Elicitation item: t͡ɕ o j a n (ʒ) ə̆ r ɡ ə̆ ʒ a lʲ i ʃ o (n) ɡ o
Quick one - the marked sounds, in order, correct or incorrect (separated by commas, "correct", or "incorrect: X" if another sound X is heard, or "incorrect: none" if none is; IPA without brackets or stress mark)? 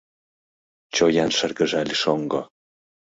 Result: incorrect: ʃ, incorrect: ŋ